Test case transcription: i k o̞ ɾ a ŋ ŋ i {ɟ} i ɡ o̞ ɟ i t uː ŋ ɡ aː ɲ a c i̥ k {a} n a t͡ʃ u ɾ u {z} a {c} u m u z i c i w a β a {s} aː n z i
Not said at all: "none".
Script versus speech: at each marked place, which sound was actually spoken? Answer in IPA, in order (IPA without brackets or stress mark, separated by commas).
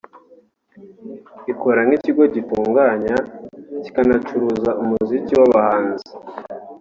c, a, z, none, h